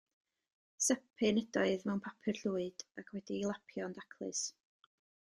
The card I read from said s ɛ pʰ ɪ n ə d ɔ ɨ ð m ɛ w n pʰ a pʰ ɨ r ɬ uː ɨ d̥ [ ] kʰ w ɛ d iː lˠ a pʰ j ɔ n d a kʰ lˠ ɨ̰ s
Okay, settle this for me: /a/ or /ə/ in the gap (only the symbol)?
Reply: a